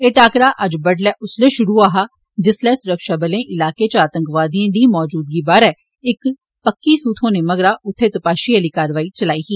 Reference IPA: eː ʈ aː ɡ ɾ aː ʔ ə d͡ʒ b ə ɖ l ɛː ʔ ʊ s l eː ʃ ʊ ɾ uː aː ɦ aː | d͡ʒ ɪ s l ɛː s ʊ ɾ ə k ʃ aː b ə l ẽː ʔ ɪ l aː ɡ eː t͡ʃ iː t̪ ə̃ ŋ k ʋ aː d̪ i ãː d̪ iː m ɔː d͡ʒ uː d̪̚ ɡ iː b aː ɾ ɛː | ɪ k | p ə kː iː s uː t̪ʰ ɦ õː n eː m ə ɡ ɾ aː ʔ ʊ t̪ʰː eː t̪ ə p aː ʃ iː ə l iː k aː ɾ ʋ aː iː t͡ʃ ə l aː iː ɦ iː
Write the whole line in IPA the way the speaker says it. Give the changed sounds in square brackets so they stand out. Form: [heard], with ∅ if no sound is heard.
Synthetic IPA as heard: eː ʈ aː [k] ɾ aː ʔ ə d͡ʒ b ə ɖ l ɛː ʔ ʊ s l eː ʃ ʊ ɾ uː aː ɦ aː | d͡ʒ ɪ s l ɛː s ʊ ɾ ə k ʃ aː b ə l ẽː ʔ ɪ l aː [k] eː t͡ʃ [aː] t̪ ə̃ ŋ k ʋ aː d̪ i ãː d̪ iː m ɔː d͡ʒ uː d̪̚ ɡ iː b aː ɾ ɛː | ɪ k | p ə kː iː s uː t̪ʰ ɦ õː n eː m ə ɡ ɾ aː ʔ ʊ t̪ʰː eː t̪ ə p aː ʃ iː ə l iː k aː ɾ ʋ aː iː t͡ʃ ə l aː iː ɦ iː